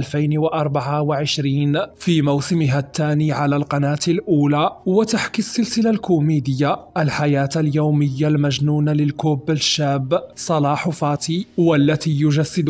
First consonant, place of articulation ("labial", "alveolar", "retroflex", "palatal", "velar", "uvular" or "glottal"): alveolar